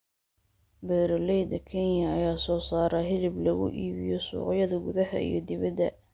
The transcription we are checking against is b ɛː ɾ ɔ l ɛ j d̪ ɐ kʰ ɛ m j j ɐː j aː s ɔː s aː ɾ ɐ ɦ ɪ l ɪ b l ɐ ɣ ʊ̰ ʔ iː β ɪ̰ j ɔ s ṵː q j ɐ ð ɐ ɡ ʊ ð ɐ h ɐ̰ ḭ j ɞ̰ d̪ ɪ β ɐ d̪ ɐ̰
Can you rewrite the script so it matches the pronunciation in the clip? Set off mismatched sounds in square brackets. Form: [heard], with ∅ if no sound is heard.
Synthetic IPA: b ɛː ɾ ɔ l ɛ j d̪ ɐ kʰ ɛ [n] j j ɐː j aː s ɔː s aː ɾ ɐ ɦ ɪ l ɪ b l ɐ ɣ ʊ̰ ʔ iː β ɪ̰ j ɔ s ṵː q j ɐ ð ɐ ɡ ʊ ð ɐ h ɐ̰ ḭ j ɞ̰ d̪ ɪ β ɐ d̪ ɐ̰